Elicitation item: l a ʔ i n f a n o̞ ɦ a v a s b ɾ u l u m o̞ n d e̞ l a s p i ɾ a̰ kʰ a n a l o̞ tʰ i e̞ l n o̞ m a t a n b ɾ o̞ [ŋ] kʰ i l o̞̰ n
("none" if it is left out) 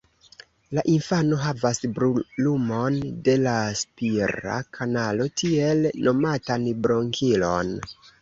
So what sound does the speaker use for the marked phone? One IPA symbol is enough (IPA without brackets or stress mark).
ŋ